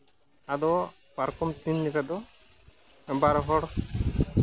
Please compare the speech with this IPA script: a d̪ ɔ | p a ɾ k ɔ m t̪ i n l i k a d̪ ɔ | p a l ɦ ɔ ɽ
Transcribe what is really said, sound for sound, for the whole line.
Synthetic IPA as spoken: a d̪ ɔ | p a ɾ k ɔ m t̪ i n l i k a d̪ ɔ | b a ɾ ɦ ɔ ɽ